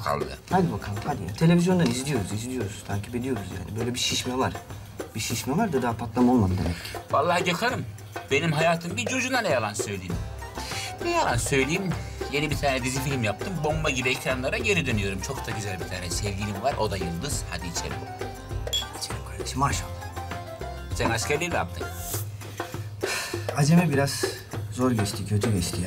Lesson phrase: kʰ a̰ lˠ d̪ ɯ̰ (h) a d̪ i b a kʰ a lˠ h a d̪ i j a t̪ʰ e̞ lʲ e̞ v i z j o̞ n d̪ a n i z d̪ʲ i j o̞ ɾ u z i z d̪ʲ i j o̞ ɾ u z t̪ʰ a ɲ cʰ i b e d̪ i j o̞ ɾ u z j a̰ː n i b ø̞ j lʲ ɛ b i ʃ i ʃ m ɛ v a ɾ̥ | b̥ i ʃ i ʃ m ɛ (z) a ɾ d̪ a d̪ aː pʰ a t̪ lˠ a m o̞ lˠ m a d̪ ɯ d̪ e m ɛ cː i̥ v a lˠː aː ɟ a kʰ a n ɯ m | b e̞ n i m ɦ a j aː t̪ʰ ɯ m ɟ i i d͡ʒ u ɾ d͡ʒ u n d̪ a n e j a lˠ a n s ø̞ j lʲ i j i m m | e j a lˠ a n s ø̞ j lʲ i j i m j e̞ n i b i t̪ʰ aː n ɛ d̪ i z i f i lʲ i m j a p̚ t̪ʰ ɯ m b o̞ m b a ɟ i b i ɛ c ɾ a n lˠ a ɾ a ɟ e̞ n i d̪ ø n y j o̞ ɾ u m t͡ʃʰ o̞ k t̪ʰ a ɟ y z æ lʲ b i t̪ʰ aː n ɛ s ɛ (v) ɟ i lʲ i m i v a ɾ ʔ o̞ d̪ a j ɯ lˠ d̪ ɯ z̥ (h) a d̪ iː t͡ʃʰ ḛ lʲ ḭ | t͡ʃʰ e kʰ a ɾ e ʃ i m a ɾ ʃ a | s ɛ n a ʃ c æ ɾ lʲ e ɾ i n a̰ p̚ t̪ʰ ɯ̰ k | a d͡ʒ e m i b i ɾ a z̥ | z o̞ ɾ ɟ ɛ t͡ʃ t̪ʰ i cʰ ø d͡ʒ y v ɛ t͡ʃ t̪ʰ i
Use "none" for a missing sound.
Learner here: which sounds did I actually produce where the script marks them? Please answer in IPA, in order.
h, v, v, h

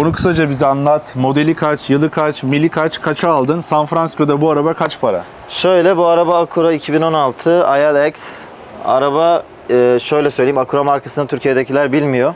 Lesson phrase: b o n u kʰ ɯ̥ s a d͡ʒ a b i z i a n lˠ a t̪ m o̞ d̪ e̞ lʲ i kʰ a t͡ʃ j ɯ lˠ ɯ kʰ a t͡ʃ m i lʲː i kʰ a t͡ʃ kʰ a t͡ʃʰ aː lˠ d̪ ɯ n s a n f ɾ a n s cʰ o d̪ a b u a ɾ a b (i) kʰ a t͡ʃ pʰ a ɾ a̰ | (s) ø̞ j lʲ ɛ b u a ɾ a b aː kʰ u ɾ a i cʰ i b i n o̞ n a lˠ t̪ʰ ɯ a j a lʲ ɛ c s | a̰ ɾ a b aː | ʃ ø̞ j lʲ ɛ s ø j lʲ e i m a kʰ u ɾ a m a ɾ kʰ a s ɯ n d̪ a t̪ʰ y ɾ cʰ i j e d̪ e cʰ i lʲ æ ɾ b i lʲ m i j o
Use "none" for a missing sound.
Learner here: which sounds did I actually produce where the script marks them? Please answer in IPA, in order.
a, ʃ

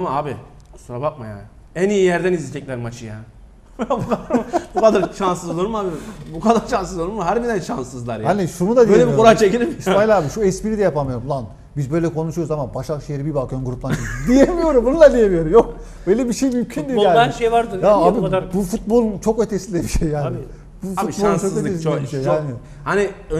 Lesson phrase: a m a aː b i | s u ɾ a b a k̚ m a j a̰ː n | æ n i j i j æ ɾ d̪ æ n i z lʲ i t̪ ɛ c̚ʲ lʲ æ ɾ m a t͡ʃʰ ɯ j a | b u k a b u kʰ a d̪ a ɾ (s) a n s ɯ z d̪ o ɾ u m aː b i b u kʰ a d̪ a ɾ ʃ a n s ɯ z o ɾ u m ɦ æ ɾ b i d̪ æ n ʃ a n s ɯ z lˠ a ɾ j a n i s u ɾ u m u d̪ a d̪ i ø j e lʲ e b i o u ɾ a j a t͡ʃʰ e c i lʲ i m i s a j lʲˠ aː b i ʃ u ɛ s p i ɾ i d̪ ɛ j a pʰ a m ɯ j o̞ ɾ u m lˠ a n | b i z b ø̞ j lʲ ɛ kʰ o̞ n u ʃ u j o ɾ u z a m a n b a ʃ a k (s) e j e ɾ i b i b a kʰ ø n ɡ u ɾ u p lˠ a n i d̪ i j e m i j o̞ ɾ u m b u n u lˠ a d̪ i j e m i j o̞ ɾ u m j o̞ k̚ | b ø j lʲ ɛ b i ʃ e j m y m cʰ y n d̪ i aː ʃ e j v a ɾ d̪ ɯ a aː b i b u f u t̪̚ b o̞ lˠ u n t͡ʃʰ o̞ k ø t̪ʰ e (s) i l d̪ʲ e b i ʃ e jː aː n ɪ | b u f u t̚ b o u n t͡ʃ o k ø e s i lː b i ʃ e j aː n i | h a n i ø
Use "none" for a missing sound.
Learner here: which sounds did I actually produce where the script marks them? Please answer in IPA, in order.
ʃ, ʃ, s

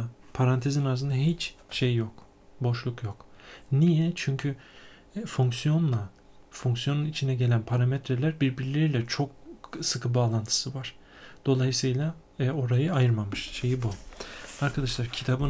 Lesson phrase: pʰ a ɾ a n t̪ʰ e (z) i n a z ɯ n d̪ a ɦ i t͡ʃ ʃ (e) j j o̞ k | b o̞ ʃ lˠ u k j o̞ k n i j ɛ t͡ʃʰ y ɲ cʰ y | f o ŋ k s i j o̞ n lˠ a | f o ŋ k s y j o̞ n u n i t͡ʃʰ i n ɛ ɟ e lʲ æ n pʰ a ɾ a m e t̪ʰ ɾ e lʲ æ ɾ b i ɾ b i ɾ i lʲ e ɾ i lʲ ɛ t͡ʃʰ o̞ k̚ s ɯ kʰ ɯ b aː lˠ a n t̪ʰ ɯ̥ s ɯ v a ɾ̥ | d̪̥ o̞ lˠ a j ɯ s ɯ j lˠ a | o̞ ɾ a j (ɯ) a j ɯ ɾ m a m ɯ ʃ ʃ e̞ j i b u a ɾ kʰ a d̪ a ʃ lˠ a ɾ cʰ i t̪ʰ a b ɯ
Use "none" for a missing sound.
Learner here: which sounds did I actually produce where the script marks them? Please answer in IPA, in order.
z, e, ɯ

